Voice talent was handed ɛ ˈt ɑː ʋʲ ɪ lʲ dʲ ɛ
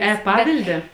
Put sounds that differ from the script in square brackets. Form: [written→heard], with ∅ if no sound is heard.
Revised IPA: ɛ [ˈt→ˈp] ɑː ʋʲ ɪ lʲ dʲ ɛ